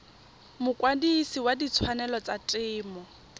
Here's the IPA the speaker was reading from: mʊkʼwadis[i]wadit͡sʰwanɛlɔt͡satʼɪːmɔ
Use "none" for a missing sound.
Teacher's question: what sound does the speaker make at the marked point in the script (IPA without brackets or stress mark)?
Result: i